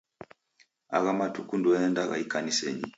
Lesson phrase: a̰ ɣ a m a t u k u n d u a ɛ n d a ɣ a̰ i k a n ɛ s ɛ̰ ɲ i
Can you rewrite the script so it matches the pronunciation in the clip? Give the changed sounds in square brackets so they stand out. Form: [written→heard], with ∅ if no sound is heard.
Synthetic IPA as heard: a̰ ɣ a m a t u k u n d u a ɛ n d a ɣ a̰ i k a n [ɛ→i] s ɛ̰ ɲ i